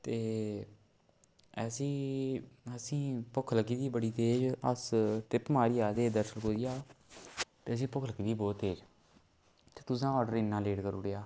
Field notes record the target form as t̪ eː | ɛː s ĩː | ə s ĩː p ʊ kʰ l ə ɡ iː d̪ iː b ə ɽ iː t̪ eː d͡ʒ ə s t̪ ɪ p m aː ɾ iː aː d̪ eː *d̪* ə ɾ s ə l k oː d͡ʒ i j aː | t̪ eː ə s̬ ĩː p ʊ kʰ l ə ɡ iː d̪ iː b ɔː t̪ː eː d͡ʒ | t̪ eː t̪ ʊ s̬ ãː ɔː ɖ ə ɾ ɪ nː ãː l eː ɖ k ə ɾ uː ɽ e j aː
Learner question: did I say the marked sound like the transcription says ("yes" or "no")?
yes